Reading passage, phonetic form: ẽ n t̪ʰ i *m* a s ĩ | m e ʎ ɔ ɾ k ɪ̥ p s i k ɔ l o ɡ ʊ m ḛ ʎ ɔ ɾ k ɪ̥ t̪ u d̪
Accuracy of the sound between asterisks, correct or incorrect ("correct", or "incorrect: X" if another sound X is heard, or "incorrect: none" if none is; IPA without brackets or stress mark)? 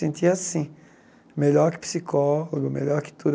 incorrect: none